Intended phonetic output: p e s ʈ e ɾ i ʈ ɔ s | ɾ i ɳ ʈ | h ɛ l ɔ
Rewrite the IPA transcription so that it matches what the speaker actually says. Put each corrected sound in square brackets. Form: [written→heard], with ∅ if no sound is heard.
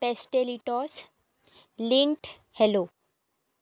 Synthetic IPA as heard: p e s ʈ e [ɾ→l] i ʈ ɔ s | [ɾ→l] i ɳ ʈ | h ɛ l [ɔ→o]